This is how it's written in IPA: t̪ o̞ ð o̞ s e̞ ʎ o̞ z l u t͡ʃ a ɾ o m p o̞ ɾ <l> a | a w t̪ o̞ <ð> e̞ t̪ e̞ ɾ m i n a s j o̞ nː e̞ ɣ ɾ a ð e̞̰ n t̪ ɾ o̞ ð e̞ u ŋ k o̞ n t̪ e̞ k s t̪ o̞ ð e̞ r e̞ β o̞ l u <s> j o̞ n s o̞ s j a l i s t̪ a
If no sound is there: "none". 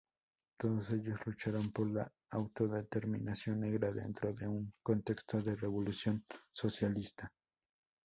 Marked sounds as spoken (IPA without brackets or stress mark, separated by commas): l, ð, s